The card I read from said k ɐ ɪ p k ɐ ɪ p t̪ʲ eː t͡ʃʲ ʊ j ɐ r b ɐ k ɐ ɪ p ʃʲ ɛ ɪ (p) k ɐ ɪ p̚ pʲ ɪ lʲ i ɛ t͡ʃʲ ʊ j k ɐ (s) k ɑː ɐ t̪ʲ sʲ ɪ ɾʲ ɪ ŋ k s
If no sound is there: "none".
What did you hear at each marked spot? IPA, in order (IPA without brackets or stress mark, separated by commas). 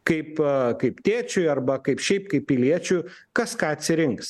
p, s